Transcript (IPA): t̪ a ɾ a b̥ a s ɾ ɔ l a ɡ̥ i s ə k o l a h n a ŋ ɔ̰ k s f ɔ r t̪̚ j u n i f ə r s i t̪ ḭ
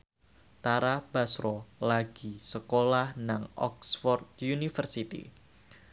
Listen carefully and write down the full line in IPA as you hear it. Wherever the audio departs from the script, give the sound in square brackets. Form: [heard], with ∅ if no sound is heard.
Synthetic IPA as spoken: t̪ a ɾ a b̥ a s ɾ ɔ l a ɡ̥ i s ə k o l a h n a ŋ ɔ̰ k s f ɔ r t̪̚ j u n i f ə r s i t̪ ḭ